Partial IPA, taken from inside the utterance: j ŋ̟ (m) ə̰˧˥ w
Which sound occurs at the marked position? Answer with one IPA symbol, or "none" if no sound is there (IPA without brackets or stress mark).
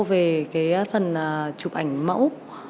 m